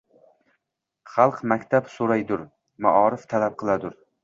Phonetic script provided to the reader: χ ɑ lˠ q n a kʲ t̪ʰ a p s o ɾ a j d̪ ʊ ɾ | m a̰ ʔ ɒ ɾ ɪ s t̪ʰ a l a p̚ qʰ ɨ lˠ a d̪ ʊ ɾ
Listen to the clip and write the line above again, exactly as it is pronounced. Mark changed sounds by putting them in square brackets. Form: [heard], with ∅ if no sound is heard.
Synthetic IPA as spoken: χ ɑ lˠ q [m] a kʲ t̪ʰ a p s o ɾ a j d̪ ʊ ɾ | m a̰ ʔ ɒ ɾ ɪ [f] t̪ʰ a l a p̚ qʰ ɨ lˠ a d̪ ʊ ɾ